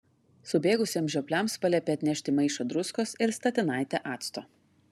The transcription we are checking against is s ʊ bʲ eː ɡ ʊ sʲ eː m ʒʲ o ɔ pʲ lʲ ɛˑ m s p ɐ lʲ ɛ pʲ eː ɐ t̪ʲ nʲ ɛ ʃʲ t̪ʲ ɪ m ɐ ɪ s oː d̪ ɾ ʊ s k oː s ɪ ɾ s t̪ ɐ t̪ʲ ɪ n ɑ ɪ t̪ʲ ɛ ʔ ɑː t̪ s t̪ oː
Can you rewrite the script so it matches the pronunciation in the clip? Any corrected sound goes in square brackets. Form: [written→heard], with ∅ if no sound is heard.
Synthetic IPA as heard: s ʊ bʲ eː ɡ ʊ sʲ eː m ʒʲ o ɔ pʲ lʲ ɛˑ m s p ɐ lʲ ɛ pʲ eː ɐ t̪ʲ nʲ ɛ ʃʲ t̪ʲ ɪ m ɐ ɪ [s→ʃ] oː d̪ ɾ ʊ s k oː s ɪ ɾ s t̪ ɐ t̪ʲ ɪ n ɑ ɪ t̪ʲ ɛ ʔ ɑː t̪ s t̪ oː